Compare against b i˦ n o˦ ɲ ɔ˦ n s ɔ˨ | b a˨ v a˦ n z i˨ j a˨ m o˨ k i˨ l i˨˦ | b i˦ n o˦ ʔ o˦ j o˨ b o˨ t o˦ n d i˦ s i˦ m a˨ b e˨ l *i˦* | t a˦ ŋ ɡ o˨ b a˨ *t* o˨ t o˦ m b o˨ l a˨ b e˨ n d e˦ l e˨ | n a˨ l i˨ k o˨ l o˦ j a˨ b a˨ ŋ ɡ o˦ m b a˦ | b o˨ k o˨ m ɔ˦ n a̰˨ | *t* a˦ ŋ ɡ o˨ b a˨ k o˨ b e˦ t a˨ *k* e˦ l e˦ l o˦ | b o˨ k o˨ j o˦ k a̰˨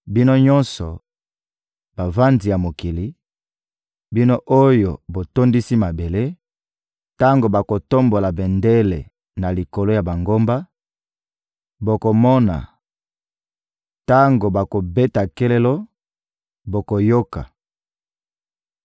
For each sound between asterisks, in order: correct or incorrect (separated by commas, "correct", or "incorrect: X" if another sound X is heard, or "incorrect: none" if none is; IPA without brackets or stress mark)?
incorrect: e˦, incorrect: k, correct, correct